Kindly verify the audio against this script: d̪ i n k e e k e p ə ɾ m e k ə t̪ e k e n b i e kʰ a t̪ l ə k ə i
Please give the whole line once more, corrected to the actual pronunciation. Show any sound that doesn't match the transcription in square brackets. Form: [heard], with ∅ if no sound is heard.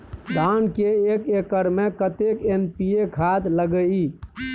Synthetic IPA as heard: d̪ [a] n k e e k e [k] ə ɾ m e k ə t̪ e k e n [p] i e kʰ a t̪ l ə [ɡ] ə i